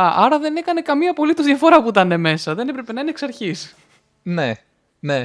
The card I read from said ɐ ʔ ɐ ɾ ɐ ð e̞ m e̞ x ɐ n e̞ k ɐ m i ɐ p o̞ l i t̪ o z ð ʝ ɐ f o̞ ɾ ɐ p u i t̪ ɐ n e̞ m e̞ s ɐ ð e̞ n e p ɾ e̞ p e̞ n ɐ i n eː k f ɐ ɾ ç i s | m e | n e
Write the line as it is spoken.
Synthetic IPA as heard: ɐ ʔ ɐ ɾ ɐ ð e̞ n e̞ k ɐ n e̞ k ɐ m i ɐ p o̞ l i t̪ o z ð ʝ ɐ f o̞ ɾ ɐ p u i t̪ ɐ n e̞ m e̞ s ɐ ð e̞ n e p ɾ e̞ p e̞ n ɐ i n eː k s ɐ ɾ ç i s | n e | n e